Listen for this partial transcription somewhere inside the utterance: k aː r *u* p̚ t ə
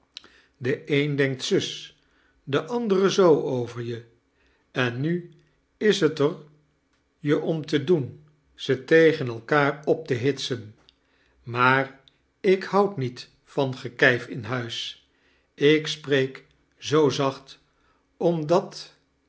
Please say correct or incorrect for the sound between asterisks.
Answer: incorrect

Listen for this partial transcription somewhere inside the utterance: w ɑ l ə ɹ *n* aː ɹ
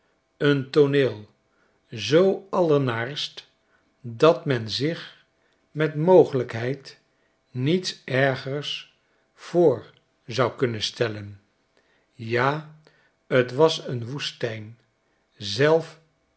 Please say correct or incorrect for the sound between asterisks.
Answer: correct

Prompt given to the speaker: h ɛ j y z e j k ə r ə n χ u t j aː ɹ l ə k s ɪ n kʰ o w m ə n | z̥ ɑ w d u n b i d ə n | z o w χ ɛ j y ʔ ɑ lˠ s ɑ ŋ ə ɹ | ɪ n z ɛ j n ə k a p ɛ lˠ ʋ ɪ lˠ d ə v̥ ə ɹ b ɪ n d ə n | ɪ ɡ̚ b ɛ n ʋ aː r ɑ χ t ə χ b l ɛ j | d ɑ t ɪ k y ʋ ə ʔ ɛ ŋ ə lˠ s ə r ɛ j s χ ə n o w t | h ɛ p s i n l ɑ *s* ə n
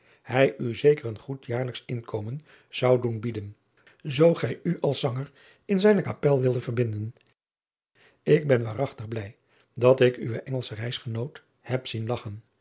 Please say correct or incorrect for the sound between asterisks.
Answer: incorrect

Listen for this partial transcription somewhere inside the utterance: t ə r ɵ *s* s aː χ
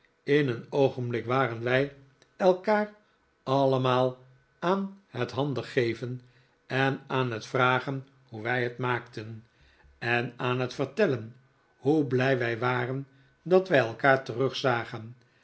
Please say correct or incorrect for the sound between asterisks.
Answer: incorrect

